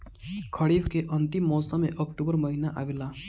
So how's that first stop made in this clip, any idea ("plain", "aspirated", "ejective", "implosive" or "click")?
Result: aspirated